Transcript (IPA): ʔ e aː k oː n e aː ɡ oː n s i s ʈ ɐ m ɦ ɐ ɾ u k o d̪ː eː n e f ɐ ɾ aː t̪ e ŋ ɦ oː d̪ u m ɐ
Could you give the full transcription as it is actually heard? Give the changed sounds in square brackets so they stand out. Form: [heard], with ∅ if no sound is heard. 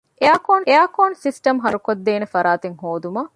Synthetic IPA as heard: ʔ e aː k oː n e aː [k] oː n s i s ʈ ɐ m ɦ ɐ ɾ u k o d̪ː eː n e f ɐ ɾ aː t̪ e ŋ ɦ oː d̪ u m ɐ